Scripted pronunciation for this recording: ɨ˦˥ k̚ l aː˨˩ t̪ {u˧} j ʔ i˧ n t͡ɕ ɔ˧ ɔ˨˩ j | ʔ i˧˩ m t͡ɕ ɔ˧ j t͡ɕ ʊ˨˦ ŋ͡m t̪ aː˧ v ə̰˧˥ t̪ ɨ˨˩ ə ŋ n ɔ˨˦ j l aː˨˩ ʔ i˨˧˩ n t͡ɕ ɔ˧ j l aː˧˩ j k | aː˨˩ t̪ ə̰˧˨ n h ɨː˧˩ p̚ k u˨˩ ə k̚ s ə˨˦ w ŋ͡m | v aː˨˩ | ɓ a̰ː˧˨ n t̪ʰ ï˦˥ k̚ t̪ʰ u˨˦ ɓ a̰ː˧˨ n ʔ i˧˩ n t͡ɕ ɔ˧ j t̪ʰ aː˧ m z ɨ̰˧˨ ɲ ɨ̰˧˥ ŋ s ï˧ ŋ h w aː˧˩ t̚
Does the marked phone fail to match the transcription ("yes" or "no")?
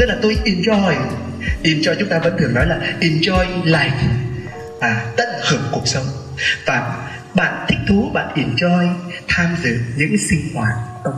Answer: yes